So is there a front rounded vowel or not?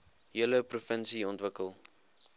no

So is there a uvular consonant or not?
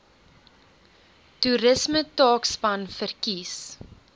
no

